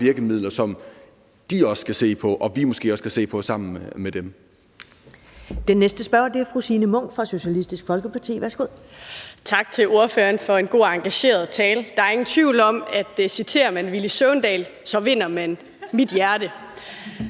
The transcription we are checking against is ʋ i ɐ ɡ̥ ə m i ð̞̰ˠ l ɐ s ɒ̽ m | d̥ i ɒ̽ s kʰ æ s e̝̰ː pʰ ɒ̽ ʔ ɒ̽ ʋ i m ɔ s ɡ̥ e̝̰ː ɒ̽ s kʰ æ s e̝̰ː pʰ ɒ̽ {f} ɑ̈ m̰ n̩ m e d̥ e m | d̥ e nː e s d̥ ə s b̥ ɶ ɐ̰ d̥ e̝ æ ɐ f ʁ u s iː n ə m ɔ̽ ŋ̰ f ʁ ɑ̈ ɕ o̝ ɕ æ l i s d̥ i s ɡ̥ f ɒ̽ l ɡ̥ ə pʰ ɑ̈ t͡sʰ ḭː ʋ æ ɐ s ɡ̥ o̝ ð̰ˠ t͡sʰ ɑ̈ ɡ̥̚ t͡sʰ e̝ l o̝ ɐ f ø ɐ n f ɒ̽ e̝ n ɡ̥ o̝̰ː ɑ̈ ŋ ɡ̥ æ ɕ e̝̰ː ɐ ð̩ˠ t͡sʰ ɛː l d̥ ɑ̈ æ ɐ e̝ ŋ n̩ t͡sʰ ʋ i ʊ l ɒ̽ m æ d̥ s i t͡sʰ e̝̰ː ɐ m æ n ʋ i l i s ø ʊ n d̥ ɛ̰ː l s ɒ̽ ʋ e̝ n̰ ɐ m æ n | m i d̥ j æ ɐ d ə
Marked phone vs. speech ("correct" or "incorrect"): incorrect